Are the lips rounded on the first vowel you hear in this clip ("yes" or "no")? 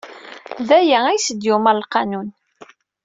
no